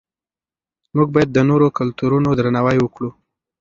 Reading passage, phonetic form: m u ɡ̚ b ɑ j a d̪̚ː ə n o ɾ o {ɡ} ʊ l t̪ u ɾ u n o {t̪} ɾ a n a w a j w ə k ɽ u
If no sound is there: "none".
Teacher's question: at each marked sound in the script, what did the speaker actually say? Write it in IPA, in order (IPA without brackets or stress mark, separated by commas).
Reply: k, d̪